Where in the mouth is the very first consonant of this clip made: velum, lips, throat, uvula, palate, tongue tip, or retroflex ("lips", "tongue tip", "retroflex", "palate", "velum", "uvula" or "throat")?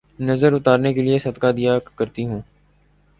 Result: tongue tip